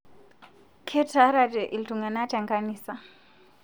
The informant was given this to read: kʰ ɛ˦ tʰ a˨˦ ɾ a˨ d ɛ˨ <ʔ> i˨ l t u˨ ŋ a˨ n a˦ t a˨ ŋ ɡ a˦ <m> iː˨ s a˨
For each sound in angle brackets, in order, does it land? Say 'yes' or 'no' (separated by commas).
yes, no